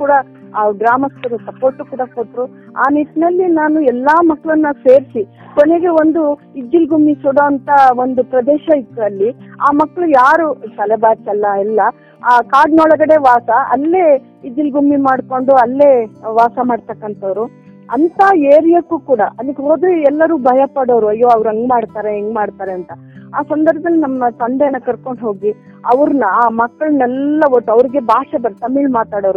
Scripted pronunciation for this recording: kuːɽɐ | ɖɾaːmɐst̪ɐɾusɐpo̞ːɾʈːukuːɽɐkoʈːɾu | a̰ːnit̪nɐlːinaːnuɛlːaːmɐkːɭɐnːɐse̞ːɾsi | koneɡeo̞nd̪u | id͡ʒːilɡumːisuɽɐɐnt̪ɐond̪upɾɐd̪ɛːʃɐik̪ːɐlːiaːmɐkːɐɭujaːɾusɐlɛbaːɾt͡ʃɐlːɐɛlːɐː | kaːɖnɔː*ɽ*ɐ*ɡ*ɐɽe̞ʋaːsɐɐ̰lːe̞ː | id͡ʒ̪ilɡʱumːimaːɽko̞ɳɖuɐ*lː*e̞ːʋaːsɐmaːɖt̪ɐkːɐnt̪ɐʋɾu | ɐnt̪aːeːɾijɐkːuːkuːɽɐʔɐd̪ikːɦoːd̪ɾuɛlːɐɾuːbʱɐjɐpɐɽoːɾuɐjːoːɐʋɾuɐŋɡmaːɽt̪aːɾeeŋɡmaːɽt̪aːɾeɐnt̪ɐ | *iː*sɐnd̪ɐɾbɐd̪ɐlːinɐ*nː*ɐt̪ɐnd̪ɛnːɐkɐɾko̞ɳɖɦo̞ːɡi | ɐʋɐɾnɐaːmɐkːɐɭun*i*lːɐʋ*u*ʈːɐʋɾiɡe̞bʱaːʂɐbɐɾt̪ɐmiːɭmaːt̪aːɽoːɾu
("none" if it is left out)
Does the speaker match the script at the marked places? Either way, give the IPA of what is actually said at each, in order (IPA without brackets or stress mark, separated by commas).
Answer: ɭ, ɡ, lː, aː, mː, ɛ, o